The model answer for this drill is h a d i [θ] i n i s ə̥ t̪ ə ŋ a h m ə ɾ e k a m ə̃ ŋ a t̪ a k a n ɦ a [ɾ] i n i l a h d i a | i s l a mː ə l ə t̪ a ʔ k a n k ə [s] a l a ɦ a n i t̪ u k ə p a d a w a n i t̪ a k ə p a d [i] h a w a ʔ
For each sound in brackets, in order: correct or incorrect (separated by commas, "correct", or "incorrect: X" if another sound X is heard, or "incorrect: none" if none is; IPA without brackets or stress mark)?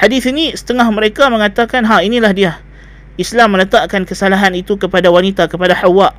correct, incorrect: none, correct, incorrect: a